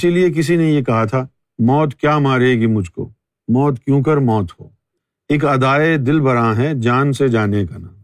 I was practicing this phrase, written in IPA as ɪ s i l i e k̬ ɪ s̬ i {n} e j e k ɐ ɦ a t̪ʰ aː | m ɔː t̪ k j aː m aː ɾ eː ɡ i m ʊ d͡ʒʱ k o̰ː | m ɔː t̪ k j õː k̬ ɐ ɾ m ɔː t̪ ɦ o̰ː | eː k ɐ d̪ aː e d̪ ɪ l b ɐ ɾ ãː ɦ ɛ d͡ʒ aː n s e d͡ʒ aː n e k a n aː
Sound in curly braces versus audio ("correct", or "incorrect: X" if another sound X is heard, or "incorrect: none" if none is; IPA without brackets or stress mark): correct